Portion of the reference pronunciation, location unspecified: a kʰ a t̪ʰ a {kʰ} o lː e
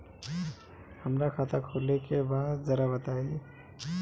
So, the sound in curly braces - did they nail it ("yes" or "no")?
yes